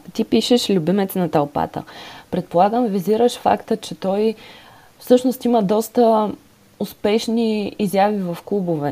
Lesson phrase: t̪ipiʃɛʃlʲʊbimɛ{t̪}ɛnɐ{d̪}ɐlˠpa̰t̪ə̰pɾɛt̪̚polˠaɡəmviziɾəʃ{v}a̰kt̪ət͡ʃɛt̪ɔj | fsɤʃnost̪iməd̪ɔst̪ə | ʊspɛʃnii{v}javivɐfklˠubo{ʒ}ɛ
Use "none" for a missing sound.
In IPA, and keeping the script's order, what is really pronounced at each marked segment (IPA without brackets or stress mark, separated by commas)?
t̪, t̪, f, z, v